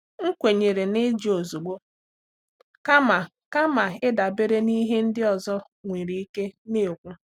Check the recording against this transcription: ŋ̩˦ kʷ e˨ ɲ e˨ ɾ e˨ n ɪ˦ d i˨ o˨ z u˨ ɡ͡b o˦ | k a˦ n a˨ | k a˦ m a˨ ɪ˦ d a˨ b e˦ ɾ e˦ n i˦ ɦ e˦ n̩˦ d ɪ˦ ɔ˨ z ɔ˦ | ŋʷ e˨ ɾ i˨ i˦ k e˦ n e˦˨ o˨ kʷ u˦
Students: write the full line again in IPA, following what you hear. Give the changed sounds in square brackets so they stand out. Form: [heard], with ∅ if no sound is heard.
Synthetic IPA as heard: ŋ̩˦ kʷ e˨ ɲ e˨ ɾ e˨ n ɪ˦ [d͡ʒ] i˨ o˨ z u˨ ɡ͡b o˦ | k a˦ [m] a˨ | k a˦ m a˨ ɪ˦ d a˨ b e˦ ɾ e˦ n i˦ ɦ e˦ n̩˦ d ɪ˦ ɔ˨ z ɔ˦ | ŋʷ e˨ ɾ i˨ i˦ k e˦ n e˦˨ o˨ kʷ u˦